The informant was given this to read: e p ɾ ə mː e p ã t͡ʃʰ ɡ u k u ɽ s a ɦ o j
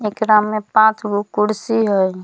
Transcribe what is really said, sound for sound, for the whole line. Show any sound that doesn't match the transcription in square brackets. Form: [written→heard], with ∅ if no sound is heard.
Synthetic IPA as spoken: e [p→k] ɾ [ə→a] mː e p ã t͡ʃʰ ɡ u k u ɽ s [a→i] ɦ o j